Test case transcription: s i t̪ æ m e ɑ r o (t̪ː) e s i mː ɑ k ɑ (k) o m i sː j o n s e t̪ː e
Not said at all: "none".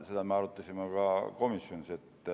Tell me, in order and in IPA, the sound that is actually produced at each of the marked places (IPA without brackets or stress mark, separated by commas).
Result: t̪ː, k